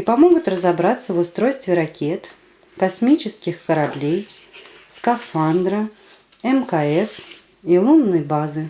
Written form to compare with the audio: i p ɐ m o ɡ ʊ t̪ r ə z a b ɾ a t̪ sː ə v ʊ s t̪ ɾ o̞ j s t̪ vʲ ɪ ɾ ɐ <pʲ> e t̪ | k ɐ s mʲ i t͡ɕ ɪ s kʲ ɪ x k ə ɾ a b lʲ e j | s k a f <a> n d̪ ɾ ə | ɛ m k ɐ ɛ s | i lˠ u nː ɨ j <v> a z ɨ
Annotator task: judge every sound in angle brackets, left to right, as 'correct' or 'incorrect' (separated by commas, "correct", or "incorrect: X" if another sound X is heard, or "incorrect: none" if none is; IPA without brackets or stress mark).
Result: incorrect: kʲ, correct, incorrect: b